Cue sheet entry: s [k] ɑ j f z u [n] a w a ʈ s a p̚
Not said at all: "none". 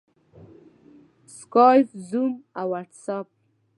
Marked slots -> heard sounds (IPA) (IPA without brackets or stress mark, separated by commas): k, m